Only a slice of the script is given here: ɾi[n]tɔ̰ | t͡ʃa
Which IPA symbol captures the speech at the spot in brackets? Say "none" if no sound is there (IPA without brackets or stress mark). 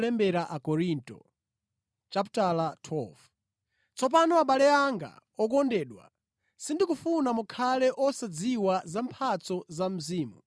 n